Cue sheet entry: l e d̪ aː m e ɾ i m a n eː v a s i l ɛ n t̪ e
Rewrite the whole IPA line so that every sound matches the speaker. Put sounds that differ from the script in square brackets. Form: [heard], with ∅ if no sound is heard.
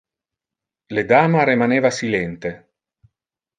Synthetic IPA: l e d̪ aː m [a] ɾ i m a n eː v a s i l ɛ n t̪ e